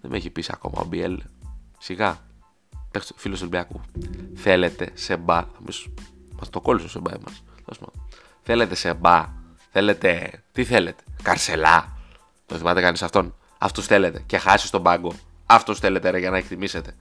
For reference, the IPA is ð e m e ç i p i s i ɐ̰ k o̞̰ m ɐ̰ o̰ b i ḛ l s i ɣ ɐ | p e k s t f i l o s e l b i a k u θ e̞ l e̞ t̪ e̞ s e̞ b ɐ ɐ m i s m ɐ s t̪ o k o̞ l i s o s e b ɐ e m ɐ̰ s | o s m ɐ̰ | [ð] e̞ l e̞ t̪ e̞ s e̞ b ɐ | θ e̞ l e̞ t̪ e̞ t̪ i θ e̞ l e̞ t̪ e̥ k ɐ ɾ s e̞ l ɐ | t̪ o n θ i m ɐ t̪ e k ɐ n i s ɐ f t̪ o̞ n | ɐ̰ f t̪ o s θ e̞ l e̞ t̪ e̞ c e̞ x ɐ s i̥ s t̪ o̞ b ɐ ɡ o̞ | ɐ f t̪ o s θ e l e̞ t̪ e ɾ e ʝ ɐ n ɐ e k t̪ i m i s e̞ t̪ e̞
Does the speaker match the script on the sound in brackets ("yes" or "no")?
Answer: no